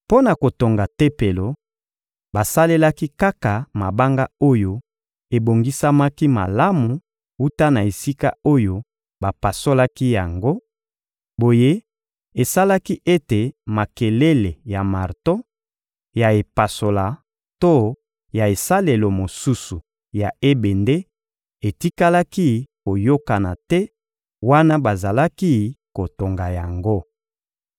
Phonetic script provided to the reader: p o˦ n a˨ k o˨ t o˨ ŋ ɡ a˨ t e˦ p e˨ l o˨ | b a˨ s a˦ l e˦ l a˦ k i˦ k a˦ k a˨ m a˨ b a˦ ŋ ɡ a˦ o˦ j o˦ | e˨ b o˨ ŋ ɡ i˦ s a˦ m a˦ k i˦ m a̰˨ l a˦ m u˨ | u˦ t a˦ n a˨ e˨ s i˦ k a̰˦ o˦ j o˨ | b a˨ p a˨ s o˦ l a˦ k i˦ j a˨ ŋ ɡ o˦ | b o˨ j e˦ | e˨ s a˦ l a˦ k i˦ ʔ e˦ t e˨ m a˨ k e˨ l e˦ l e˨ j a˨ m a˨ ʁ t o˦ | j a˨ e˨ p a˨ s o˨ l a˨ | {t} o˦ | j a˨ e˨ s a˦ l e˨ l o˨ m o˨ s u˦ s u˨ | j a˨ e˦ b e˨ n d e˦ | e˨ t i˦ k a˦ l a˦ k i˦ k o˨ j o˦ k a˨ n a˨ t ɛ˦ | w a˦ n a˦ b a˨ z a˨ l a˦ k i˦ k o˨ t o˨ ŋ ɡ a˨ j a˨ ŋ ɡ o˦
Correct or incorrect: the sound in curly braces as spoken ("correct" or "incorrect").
correct